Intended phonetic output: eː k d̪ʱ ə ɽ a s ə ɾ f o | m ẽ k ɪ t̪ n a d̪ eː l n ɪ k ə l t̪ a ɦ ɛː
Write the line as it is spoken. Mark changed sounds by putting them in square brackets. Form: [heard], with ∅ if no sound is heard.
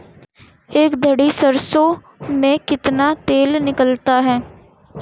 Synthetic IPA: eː k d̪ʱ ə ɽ [i] s ə ɾ [s] o | m ẽ k ɪ t̪ n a [t̪] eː l n ɪ k ə l t̪ a ɦ ɛː